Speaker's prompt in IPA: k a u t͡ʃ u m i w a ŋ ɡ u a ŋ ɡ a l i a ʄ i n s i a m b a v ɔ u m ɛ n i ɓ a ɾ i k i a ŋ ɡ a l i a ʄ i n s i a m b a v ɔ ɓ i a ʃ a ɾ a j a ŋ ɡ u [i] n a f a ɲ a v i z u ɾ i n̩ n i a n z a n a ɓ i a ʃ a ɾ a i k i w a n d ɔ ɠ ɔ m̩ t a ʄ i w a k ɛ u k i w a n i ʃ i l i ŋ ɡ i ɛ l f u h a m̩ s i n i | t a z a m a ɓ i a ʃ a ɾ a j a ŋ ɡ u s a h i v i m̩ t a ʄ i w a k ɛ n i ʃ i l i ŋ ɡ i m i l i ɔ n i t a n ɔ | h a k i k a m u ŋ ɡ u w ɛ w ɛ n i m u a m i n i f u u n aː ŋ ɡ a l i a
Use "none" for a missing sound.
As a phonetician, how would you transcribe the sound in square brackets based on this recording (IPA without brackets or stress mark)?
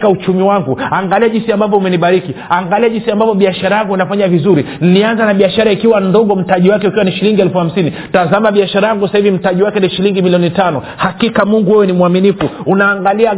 i